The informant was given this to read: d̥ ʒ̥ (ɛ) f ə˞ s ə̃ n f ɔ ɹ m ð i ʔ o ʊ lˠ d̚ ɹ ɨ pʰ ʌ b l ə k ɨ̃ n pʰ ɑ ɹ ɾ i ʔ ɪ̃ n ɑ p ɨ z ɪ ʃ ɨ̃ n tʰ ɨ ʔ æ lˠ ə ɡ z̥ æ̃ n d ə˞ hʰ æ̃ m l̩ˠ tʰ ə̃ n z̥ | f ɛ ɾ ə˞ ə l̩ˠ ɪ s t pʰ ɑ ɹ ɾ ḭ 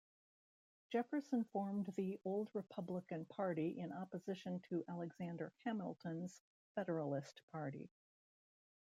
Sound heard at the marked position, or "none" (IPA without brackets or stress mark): ɛ